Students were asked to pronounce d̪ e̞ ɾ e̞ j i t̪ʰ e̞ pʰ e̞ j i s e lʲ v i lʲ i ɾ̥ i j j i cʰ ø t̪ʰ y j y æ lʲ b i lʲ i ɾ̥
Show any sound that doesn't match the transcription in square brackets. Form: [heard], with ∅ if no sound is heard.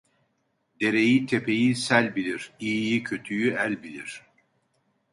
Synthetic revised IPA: d̪ e̞ ɾ e̞ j i t̪ʰ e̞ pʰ e̞ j i s [æ] lʲ [b] i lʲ i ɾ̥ i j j i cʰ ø t̪ʰ y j y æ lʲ b i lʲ i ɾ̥